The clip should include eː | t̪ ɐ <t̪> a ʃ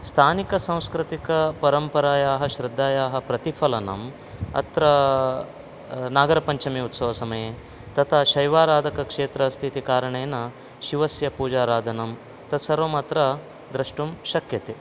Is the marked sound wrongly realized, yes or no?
yes